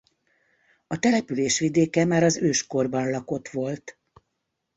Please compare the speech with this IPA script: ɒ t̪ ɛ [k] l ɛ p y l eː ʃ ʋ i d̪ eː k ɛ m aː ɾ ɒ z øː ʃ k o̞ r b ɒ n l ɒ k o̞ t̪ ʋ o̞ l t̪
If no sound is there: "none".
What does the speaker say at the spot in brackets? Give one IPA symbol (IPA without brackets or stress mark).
none